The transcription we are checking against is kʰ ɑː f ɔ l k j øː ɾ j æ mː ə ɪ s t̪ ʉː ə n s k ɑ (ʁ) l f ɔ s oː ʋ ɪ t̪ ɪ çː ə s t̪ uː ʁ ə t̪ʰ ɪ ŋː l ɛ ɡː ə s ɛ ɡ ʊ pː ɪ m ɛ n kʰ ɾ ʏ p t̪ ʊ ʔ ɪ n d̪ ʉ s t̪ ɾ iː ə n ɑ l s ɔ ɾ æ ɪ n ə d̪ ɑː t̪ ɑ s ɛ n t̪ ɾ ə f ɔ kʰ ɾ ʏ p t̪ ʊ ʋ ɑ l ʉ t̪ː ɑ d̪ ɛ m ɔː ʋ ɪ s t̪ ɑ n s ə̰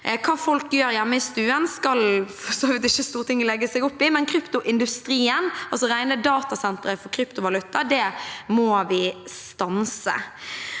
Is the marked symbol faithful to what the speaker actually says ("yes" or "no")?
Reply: no